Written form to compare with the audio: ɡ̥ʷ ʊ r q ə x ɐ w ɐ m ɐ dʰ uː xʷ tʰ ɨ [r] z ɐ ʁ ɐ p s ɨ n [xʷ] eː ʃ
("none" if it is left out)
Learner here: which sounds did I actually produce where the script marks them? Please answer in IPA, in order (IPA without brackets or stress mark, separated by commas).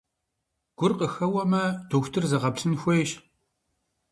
r, xʷ